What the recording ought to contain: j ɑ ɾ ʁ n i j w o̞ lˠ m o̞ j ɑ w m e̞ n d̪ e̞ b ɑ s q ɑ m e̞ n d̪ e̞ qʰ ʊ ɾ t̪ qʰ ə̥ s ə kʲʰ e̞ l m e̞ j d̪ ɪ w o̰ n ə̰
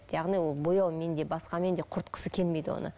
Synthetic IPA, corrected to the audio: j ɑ ʁ n i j w o̞ lˠ b o̞ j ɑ w m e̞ n d̪ e̞ b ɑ s q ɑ m e̞ n d̪ e̞ qʰ ʊ ɾ t̪ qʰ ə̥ s ə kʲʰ e̞ l m e̞ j d̪ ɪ w o̰ n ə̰